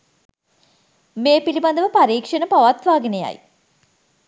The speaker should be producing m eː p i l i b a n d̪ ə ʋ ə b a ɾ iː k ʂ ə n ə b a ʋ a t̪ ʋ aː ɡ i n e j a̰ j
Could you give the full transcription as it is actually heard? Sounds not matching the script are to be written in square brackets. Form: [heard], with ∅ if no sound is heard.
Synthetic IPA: m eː p i l i b a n d̪ ə ʋ ə [p] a ɾ iː k ʂ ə n ə [p] a ʋ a t̪ ʋ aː ɡ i n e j a̰ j